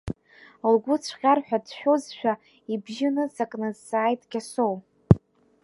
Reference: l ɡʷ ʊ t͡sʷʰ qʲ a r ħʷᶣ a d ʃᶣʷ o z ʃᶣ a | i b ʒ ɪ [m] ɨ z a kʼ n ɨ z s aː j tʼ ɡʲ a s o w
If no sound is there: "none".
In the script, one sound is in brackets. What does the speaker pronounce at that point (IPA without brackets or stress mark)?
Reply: n